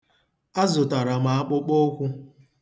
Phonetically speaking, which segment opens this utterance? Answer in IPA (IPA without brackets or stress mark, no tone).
a